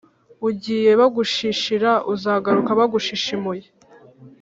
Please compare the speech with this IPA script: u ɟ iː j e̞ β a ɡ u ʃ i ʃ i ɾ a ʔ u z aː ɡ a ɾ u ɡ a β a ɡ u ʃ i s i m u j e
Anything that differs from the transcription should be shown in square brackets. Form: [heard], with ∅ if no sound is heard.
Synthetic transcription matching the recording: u ɟ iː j e̞ β a ɡ u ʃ i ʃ i ɾ a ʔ u z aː ɡ a ɾ u [k] a β a ɡ u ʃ i [ʃ] i m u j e